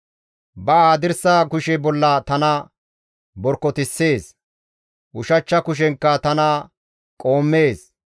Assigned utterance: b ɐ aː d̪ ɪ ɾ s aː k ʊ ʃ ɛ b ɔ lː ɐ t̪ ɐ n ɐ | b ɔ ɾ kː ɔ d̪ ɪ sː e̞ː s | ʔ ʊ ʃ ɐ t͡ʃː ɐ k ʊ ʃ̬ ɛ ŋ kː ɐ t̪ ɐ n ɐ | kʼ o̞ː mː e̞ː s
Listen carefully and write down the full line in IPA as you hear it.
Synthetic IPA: b ɐ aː d̪ ɪ ɾ s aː k ʊ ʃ ɛ b ɔ lː ɐ t̪ ɐ n ɐ | b ɔ ɾ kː ɔ t̪ ɪ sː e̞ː s | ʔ ʊ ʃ ɐ t͡ʃː ɐ k ʊ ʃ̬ ɛ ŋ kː ɐ t̪ ɐ n ɐ | kʼ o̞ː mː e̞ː s